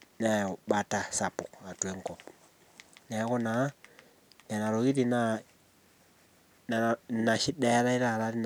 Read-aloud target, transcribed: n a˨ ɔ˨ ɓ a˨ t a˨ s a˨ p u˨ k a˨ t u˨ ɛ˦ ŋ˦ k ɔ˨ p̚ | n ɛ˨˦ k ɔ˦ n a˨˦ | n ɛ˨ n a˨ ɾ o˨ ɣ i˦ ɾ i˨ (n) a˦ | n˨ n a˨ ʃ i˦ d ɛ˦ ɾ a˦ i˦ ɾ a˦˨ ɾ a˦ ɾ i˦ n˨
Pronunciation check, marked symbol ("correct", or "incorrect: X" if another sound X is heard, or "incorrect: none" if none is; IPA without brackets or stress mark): correct